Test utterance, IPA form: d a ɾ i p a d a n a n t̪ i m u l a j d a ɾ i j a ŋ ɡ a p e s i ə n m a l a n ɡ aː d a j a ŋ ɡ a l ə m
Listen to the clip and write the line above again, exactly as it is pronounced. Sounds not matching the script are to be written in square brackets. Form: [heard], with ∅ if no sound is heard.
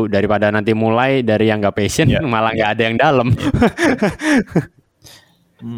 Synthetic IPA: d a ɾ i p a d a n a n t̪ i m u l a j d a ɾ i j a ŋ ɡ a p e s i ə n m a l a [ŋ] ɡ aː d a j a ŋ [d] a l ə m